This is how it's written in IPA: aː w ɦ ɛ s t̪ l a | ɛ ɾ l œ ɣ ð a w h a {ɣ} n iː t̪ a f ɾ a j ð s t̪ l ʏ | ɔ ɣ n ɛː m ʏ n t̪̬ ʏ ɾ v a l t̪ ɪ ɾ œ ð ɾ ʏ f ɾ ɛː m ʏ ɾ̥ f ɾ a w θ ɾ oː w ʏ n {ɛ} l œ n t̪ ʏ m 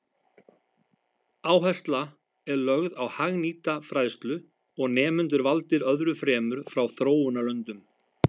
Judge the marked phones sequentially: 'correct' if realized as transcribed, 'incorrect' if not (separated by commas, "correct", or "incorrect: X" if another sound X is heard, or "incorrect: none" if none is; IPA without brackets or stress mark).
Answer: correct, incorrect: a